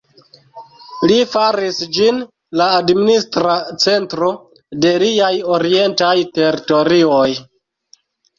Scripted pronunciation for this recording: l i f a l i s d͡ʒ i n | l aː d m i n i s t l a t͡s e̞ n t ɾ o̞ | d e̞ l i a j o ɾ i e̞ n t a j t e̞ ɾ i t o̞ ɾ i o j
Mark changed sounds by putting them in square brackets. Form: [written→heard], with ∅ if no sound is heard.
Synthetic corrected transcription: l i f a [l→ɾ] i s d͡ʒ i n | l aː d m i n i s t [l→ɾ] a t͡s e̞ n t ɾ o̞ | d e̞ l i a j o ɾ i e̞ n t a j t e̞ ɾ i t o̞ ɾ i o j

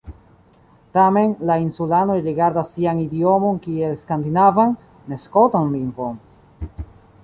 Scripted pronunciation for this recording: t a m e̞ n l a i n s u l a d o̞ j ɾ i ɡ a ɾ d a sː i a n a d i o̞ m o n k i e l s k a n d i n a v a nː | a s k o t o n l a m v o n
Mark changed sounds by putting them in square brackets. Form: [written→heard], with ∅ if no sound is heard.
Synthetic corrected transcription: t a m e̞ n l a i n s u l a [d→n] o̞ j ɾ i ɡ a ɾ d a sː i a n [a→i] d i o̞ m o n k i e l s k a n d i n a v a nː | [a→e] s k o t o n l [a→i] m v o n

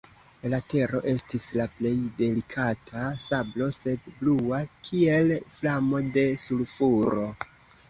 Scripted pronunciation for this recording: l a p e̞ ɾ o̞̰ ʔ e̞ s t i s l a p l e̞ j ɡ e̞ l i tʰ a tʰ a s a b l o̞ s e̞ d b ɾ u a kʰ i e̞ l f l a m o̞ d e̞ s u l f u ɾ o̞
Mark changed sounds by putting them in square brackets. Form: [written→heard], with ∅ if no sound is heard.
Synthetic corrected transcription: l a [p→t] e̞ ɾ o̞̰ ʔ e̞ s t i s l a p l e̞ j [ɡ→d] e̞ l i [tʰ→kʰ] a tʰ a s a b l o̞ s e̞ d b [ɾ→l] u a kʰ i e̞ l f l a m o̞ d e̞ s u l f u ɾ o̞

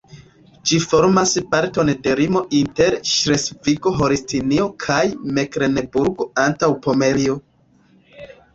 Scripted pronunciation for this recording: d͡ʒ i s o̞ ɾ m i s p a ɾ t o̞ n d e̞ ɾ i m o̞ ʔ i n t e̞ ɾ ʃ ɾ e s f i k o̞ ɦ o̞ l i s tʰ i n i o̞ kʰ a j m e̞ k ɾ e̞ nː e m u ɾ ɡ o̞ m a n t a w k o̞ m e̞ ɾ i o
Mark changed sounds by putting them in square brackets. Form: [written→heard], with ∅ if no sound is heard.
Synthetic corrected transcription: d͡ʒ i [s→f] o̞ ɾ m [i→a] s p a ɾ t o̞ n d e̞ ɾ i m o̞ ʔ i n t e̞ ɾ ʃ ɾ e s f i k o̞ ɦ o̞ [l→ɾ] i s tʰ i n i o̞ kʰ a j m e̞ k ɾ e̞ [nː→n] e [m→b] u ɾ ɡ o̞ [m→∅] a n t a w [k→p] o̞ m e̞ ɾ i o

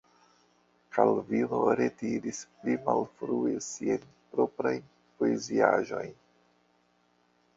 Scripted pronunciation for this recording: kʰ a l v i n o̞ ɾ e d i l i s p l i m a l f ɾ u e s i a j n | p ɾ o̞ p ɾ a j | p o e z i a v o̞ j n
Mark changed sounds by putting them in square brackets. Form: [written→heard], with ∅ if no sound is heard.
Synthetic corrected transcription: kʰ a l v i n o̞ ɾ e [d→t] i [l→ɾ] i s p l i m a l f ɾ u e s i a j n | p ɾ o̞ p ɾ a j | p o e z i a [v→ʒ] o̞ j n

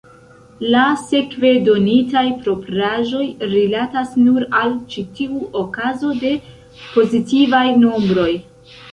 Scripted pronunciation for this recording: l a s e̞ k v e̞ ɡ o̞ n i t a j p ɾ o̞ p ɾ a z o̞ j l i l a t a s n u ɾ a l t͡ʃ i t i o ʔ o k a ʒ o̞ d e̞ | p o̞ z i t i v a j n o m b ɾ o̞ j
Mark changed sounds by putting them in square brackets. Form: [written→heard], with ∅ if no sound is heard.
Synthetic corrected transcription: l a s e̞ k v e̞ [ɡ→d] o̞ n i t a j p ɾ o̞ p ɾ a [z→ʒ] o̞ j [l→ɾ] i l a t a s n u ɾ a l t͡ʃ i t i [o→u] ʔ o k a [ʒ→z] o̞ d e̞ | p o̞ z i t i v a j n o m b ɾ o̞ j

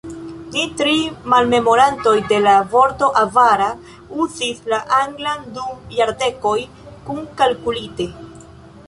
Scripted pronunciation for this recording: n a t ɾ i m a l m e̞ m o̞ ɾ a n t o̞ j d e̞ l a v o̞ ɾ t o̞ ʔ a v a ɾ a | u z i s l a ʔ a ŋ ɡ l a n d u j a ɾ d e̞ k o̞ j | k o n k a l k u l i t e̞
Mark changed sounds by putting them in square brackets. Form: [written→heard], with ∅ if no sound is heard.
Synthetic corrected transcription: n [a→i] t ɾ i m a l m e̞ m o̞ ɾ a n t o̞ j d e̞ l a v o̞ ɾ t o̞ ʔ a v a ɾ a | u z i s l a ʔ a ŋ ɡ l a n d u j a ɾ d e̞ k o̞ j | k [o→u] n k a l k u l i t e̞

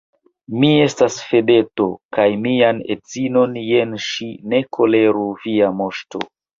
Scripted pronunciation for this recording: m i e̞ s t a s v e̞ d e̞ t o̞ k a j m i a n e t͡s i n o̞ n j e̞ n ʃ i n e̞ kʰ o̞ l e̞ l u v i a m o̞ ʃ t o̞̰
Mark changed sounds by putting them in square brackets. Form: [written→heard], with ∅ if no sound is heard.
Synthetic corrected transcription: m i e̞ s t a s [v→f] e̞ d e̞ t o̞ k a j m i a n e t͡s i n o̞ n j e̞ n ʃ i n e̞ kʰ o̞ l e̞ [l→ɾ] u v i a m o̞ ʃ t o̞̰

